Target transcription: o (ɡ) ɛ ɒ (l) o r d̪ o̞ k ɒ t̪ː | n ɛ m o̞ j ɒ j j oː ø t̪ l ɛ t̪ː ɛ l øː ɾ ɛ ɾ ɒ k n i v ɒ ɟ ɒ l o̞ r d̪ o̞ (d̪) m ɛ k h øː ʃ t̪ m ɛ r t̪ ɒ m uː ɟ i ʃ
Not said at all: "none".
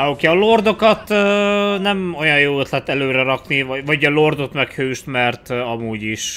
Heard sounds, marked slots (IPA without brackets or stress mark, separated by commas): k, l, t̪